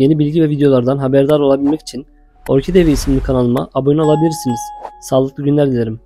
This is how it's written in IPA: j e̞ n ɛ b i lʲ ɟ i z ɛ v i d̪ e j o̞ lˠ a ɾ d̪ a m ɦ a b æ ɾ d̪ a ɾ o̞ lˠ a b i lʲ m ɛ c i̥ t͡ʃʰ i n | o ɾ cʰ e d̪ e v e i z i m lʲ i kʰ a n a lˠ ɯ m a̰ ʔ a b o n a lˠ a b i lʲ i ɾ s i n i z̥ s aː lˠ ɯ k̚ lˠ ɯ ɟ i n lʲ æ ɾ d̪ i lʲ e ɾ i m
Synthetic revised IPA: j e̞ n i b i lʲ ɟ i v ɛ v i d̪ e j o̞ lˠ a ɾ d̪ a n ɦ a b æ ɾ d̪ a ɾ o̞ lˠ a b i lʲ m ɛ c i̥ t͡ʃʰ i n | o ɾ cʰ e d̪ e v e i s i m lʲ i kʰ a n a lˠ ɯ m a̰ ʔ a b o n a lˠ a b i lʲ i ɾ s i n i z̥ s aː lˠ ɯ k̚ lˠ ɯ ɟ y n lʲ æ ɾ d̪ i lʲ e ɾ i m

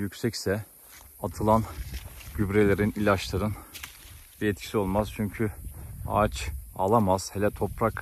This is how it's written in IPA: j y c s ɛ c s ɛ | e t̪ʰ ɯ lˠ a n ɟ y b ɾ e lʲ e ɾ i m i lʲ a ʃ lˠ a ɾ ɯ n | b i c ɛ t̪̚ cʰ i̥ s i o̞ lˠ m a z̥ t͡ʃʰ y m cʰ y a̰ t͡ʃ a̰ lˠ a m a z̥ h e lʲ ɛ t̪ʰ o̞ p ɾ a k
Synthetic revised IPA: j y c s ɛ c s ɛ | a t̪ʰ ɯ lˠ a n ɟ y b ɾ e lʲ e ɾ i n i lʲ a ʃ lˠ a ɾ ɯ n | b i ɛ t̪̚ cʰ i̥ s i o̞ lˠ m a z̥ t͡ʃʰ y ɲ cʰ y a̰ t͡ʃ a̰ lˠ a m a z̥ h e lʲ ɛ t̪ʰ o̞ p ɾ a k

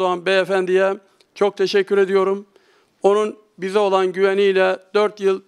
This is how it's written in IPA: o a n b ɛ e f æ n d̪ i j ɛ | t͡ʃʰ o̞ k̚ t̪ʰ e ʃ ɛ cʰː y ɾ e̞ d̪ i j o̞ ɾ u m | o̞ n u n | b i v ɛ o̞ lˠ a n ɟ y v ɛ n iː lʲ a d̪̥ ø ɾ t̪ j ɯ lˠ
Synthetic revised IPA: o a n b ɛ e f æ n d̪ i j ɛ | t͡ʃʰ o̞ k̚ t̪ʰ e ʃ ɛ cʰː y ɾ e̞ d̪ i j o̞ ɾ u m | o̞ n u n | b i z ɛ o̞ lˠ a n ɟ y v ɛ n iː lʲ ɛ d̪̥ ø ɾ t̪ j ɯ lˠ

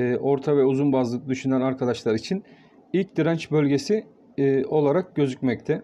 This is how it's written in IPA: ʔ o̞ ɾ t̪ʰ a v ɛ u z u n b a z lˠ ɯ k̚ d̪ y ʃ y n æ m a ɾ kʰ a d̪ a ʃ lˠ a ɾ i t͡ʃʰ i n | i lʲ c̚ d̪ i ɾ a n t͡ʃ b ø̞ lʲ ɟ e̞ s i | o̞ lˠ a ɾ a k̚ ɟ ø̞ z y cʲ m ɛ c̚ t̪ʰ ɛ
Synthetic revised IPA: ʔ o̞ ɾ t̪ʰ a v ɛ u z u n b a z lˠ ɯ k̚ d̪ y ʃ y n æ n a ɾ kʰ a d̪ a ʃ lˠ a ɾ i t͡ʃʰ i n | i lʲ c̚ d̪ i ɾ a n t͡ʃ b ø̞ lʲ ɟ e̞ s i | o̞ lˠ a ɾ a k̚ ɟ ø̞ z y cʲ m ɛ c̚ t̪ʰ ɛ

